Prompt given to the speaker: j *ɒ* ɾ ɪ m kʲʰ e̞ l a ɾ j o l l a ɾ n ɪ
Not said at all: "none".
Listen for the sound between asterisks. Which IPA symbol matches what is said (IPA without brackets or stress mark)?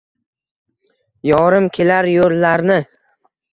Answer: ɒ